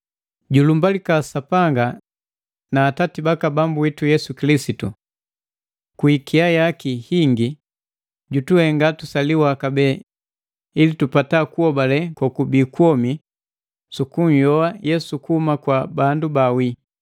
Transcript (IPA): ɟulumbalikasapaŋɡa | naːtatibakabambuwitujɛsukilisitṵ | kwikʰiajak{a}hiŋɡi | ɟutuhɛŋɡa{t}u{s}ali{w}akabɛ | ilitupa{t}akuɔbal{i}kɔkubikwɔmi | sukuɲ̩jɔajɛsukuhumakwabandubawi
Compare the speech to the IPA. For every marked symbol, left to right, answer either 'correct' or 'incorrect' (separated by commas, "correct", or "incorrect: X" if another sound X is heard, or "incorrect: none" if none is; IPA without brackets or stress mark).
incorrect: i, correct, correct, correct, correct, incorrect: ɛ